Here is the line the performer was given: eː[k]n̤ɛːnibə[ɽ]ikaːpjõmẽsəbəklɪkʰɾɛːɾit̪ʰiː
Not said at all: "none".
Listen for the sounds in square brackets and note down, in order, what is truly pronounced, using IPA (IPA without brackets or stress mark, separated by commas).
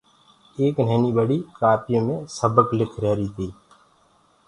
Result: k, ɽ